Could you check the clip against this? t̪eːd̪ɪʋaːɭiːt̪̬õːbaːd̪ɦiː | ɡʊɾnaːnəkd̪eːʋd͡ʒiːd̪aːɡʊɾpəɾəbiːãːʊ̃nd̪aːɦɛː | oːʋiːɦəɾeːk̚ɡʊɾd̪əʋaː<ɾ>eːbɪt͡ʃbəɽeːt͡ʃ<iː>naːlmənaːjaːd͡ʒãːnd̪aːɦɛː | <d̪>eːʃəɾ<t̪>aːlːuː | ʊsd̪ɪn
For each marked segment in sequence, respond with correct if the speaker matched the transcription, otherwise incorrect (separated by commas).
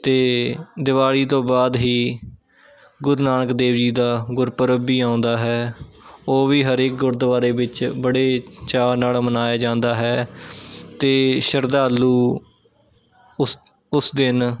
correct, incorrect, incorrect, incorrect